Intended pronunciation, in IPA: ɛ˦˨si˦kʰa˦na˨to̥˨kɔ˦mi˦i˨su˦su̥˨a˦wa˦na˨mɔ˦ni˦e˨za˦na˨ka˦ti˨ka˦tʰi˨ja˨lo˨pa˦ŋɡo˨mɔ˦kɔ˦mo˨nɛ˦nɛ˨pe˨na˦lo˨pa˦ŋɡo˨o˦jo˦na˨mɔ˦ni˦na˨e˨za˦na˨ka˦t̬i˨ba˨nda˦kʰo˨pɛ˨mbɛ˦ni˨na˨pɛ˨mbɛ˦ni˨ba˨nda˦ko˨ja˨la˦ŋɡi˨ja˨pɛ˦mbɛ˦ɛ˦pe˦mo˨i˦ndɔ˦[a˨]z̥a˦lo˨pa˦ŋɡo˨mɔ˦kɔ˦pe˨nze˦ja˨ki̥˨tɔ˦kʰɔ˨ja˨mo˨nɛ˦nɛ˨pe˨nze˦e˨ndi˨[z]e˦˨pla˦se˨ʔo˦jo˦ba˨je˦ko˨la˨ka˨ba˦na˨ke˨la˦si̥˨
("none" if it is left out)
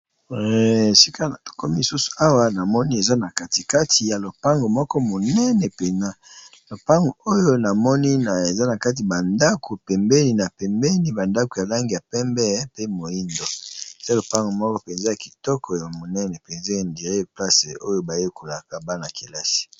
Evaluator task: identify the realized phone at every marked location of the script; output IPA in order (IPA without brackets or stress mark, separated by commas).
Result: e˨, ʁ